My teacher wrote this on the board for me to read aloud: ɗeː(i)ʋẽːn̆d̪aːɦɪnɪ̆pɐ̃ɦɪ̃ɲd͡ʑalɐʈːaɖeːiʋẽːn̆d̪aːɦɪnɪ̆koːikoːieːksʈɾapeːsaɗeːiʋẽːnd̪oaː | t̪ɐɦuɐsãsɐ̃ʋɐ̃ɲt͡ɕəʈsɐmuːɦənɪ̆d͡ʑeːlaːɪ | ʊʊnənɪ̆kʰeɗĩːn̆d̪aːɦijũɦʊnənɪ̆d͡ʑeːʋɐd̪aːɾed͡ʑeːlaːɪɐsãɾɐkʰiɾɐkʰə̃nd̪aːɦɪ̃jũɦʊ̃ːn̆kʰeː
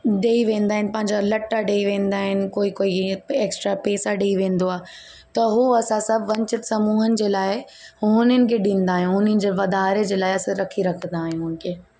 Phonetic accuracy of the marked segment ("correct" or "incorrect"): correct